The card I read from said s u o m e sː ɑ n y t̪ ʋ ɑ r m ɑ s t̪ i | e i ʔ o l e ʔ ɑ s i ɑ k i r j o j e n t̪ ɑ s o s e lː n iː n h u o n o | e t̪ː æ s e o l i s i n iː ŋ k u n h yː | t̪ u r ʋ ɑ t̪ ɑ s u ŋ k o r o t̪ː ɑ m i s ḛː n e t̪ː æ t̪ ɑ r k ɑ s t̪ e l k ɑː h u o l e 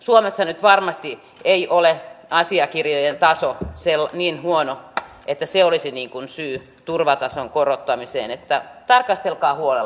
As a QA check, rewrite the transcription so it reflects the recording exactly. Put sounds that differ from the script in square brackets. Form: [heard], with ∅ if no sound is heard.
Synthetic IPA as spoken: s u o m e sː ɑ n y t̪ ʋ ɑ r m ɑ s t̪ i | e i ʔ o l e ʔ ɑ s i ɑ k i r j o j e n t̪ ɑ s o s e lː n iː n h u o n o | e t̪ː æ s e o l i s i n iː ŋ k u n [s] yː | t̪ u r ʋ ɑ t̪ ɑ s [o] ŋ k o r o t̪ː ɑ m i s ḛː n e t̪ː æ t̪ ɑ r k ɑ s t̪ e l k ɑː h u o l e